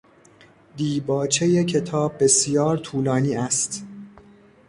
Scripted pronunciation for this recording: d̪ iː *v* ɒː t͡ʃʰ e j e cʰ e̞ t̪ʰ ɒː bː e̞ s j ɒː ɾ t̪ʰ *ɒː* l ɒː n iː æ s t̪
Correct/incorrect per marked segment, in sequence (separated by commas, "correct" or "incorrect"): incorrect, incorrect